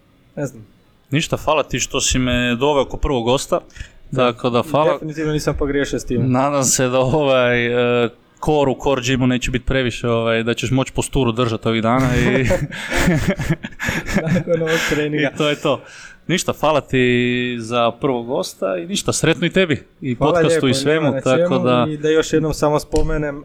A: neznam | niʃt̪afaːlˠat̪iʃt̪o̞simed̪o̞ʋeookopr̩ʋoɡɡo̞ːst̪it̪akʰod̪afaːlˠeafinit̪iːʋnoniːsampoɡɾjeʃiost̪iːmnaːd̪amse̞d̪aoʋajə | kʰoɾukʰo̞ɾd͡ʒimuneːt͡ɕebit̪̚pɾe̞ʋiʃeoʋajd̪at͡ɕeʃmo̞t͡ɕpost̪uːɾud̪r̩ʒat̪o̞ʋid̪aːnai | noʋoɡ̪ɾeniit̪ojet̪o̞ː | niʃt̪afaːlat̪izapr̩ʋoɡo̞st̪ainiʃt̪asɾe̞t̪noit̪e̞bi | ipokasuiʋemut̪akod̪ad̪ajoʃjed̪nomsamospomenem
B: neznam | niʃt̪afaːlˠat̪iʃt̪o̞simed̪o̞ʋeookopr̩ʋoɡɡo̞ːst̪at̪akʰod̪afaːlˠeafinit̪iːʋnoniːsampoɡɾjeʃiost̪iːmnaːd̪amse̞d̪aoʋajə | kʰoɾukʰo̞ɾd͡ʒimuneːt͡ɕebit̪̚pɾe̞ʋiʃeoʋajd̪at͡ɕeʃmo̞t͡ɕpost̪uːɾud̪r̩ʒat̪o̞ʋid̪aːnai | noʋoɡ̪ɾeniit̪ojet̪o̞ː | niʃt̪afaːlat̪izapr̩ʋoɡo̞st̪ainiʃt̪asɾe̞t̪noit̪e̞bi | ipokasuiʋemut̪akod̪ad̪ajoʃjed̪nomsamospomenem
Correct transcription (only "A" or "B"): B